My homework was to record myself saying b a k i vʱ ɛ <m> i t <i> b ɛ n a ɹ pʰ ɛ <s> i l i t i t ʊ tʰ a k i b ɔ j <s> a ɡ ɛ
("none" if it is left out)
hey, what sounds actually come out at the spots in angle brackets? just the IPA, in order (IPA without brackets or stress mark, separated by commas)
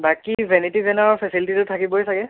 n, i, s, s